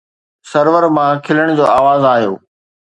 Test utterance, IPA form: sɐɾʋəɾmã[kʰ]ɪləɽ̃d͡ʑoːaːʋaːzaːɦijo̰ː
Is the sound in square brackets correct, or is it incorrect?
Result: correct